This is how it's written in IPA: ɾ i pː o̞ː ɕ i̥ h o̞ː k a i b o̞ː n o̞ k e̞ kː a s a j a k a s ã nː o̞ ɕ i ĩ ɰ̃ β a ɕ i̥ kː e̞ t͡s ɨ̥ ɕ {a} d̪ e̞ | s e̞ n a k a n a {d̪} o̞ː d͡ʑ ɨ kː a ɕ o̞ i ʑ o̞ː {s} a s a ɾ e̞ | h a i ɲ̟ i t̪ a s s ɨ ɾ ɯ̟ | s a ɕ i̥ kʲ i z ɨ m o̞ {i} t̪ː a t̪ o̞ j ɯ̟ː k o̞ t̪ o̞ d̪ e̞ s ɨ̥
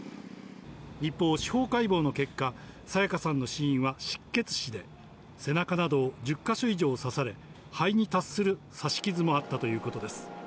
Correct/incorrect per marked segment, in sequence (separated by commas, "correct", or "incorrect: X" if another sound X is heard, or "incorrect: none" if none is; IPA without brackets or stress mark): incorrect: i, correct, correct, incorrect: a